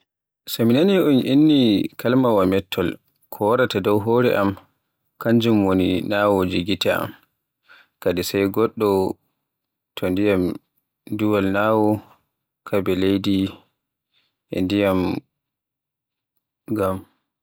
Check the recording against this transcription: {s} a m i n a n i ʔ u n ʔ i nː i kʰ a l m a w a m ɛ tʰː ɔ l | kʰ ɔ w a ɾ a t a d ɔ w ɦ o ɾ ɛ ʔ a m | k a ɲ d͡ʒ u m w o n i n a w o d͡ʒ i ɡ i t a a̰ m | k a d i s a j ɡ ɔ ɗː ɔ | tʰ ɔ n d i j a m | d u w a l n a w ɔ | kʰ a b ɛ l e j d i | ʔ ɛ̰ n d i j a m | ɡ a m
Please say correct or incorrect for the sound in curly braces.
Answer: correct